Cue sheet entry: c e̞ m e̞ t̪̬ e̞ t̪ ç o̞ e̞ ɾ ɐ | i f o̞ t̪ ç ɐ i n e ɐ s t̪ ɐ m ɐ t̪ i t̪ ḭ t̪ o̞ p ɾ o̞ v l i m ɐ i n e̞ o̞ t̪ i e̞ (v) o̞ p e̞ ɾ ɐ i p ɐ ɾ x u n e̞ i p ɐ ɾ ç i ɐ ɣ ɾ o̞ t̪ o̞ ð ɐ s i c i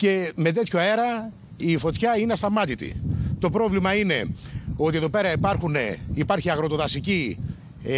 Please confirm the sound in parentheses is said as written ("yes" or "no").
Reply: no